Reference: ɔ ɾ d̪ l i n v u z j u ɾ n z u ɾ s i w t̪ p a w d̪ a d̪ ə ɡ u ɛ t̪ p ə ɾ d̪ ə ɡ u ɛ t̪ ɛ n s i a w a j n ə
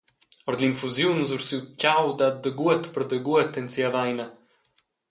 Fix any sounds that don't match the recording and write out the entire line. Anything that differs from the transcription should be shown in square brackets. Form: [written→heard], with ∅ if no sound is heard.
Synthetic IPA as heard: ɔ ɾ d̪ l i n [v→f] u z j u [ɾ→∅] n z u ɾ s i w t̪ [p→c] a w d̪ a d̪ ə ɡ u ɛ t̪ p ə ɾ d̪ ə ɡ u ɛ t̪ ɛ n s i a [w→v] a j n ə